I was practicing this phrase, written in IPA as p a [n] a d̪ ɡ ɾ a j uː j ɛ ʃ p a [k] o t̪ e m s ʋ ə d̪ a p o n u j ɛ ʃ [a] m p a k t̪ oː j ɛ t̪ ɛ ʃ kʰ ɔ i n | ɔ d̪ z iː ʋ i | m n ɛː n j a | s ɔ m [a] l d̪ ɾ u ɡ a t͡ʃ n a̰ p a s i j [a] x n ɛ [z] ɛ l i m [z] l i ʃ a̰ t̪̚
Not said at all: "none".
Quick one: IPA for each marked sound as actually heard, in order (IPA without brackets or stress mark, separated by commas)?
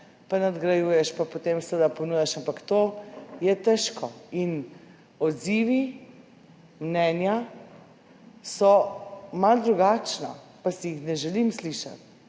n, p, a, a, i, ʒ, s